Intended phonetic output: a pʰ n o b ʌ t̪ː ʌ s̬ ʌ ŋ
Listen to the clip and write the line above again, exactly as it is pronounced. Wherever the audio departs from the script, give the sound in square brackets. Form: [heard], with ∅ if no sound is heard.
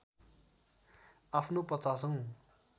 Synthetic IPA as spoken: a pʰ n o [p] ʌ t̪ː [a] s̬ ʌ ŋ